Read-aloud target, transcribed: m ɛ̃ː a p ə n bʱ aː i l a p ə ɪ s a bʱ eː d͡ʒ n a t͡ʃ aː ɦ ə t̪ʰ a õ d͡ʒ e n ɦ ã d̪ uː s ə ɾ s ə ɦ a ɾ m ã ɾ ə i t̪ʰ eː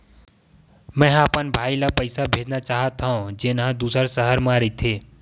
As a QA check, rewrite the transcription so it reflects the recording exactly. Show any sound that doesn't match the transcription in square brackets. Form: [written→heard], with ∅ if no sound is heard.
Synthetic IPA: m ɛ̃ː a p ə n bʱ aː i l a p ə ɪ s a bʱ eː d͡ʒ n a t͡ʃ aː ɦ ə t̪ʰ a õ d͡ʒ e n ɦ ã d̪ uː s ə ɾ s ə ɦ [a→ə] ɾ m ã ɾ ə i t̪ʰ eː